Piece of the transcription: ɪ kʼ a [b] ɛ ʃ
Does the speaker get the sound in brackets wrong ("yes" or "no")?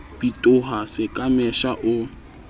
yes